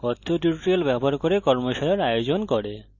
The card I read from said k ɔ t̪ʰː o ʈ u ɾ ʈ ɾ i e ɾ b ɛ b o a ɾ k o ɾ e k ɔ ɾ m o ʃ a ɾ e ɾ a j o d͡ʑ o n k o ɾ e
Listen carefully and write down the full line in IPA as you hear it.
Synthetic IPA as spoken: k ɔ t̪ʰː o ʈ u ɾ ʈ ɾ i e l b ɛ b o a ɾ k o ɾ e k ɔ ɾ m o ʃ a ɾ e ɾ a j o d͡ʑ o n k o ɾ e